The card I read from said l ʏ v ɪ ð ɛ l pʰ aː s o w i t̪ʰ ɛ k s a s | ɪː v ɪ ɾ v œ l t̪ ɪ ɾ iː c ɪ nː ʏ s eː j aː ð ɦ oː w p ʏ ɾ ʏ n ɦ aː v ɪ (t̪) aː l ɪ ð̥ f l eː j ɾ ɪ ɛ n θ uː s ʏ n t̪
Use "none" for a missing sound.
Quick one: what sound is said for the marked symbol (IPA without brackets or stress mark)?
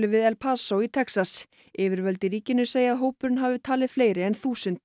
t̪ʰ